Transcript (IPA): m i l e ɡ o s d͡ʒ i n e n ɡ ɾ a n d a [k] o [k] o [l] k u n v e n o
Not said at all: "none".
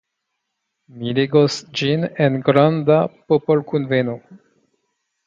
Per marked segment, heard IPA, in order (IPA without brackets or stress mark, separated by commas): p, p, l